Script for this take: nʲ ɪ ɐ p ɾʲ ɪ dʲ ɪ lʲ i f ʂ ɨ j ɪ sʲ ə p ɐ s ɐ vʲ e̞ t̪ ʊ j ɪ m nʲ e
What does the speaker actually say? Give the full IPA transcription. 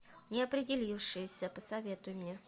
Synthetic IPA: nʲ ɪ ɐ p ɾʲ ɪ dʲ ɪ lʲ i f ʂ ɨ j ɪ sʲ ə p ə s ɐ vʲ e̞ t̪ ʊ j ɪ m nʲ e